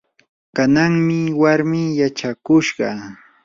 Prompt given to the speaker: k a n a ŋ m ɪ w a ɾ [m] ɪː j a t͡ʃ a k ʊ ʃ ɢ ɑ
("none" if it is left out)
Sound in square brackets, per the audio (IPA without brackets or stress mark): m